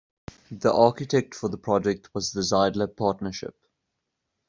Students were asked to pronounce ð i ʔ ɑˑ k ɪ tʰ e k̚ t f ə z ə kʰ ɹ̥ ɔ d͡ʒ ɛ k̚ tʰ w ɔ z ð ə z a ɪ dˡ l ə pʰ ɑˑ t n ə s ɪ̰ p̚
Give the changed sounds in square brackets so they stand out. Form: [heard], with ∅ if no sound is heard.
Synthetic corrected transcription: ð i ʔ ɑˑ k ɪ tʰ [ɛ] k̚ t f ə [ð] ə [pʰ] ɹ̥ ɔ d͡ʒ ɛ k̚ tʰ w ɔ z ð ə z a ɪ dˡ l ə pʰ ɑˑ t n ə [ʃ] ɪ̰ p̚